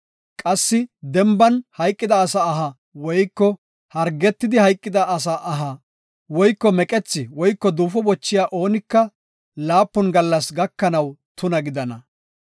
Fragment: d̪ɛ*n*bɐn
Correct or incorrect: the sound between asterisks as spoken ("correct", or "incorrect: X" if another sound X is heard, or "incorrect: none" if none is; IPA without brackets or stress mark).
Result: incorrect: m